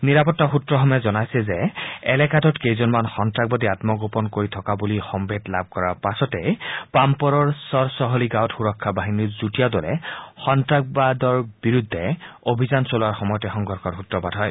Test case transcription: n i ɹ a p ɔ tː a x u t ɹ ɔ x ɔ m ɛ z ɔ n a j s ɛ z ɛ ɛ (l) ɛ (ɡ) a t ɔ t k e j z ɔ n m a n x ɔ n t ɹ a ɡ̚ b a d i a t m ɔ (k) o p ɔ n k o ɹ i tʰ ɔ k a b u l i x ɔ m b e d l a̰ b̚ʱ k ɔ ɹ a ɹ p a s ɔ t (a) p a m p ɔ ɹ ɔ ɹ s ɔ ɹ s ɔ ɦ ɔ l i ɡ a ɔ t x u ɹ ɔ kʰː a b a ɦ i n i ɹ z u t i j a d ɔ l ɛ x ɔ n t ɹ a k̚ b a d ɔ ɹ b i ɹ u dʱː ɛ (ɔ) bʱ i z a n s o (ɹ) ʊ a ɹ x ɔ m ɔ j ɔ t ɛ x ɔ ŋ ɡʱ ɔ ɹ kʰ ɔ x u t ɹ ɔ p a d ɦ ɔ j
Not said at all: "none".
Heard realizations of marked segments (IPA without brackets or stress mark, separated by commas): l, k, ɡ, ɛ, o, l